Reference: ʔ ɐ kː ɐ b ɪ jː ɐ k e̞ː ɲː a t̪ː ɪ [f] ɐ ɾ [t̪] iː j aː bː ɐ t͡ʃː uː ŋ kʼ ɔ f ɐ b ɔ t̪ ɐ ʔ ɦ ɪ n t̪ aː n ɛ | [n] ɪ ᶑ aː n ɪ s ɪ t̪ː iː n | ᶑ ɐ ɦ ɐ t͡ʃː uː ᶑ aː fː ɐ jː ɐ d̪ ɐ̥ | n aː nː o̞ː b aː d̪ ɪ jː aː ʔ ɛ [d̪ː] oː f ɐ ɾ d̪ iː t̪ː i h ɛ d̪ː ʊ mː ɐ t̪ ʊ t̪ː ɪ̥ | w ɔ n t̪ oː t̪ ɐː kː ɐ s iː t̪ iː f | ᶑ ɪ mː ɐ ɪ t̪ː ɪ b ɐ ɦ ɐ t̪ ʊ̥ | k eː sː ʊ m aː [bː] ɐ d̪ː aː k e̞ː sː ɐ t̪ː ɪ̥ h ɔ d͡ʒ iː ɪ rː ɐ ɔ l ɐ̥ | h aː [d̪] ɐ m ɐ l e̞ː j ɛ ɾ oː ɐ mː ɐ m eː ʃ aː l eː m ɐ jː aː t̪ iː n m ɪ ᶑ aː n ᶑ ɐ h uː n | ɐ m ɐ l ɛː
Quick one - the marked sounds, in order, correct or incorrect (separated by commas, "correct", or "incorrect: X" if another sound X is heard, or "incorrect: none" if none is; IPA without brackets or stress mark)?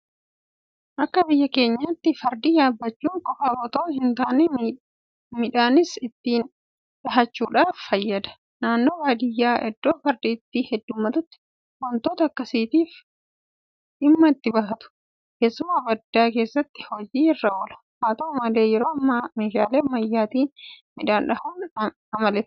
correct, incorrect: d̪, incorrect: m, correct, incorrect: b, incorrect: t̪